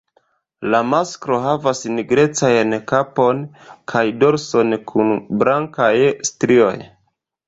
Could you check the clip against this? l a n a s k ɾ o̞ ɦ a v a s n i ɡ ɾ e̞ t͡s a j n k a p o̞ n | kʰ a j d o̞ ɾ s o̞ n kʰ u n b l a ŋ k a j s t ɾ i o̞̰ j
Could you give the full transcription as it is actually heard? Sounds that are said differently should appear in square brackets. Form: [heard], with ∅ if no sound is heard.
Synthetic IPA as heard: l a [m] a s k ɾ o̞ ɦ a v a s n i ɡ ɾ e̞ t͡s a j n k a p o̞ n | kʰ a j d o̞ ɾ s o̞ n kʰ u n b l a ŋ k a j s t ɾ i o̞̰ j